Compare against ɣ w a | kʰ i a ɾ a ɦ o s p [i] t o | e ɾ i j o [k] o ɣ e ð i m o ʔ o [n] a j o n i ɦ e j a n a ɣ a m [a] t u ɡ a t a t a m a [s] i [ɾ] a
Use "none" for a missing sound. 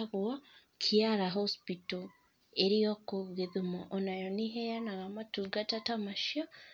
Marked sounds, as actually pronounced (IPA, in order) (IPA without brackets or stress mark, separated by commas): i, k, n, a, ʃ, none